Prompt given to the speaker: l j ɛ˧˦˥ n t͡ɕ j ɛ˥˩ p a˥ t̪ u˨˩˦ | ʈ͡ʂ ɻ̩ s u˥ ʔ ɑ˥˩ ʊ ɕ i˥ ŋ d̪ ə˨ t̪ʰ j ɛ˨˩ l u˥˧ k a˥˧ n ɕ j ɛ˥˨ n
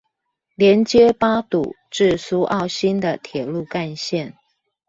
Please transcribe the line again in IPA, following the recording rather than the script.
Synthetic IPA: l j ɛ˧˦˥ n t͡ɕ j ɛ˦ p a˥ t̪ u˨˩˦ | ʈ͡ʂ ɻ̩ s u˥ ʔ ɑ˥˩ ʊ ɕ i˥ n d̪ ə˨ t̪ʰ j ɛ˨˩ l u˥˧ k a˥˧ n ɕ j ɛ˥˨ n